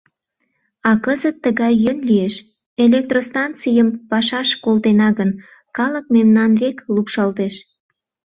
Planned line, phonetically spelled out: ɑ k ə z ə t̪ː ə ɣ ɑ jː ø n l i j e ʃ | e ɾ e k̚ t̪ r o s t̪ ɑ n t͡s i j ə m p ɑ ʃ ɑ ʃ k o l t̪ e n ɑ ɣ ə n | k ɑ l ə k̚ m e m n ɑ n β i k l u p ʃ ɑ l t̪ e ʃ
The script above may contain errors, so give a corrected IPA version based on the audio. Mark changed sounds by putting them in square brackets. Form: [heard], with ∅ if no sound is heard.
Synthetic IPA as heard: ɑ k ə z ə t̪ː ə ɣ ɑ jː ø n l i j e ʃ | e [l] e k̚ t̪ r o s t̪ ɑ n t͡s i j ə m p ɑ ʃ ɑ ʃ k o l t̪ e n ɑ ɣ ə n | k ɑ l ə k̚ m e m n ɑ n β [e] k l u p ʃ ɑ l t̪ e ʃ